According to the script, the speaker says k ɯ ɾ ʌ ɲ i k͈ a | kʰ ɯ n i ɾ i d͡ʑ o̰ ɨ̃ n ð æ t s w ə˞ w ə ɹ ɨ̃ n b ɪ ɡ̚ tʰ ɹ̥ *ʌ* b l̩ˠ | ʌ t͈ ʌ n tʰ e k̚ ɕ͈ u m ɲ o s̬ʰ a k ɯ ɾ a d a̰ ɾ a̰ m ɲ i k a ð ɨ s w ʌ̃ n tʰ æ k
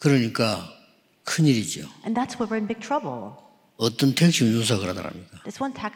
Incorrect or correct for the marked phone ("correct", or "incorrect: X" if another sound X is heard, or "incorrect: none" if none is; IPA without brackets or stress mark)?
correct